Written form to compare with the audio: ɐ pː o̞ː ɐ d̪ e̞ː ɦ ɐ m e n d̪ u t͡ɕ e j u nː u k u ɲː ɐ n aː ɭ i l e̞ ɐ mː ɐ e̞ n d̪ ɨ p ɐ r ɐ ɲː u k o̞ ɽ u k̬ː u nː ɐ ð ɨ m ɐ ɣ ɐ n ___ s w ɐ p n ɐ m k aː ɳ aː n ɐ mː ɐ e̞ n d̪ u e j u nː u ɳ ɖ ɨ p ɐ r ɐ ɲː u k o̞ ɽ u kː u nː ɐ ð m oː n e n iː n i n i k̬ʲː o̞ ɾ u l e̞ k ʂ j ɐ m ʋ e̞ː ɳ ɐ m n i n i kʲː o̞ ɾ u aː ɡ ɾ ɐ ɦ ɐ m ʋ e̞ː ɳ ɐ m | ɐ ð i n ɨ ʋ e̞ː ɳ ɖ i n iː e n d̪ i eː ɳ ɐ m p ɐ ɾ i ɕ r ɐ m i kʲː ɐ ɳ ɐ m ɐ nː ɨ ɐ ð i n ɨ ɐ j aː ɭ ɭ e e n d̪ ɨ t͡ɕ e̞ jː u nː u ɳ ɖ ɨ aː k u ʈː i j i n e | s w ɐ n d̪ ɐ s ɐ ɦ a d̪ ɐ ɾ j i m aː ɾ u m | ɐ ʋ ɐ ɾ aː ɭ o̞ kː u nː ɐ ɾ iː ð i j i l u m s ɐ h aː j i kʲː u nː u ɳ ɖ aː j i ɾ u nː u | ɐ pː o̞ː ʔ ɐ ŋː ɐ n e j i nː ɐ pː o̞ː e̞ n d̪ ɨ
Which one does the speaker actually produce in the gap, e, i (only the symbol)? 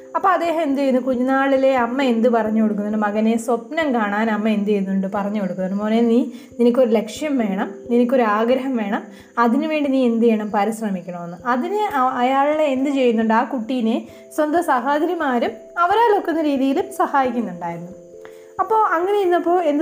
e